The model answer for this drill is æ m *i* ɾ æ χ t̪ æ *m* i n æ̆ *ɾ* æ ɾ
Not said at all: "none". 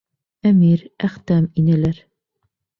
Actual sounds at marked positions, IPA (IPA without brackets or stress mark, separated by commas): i, m, l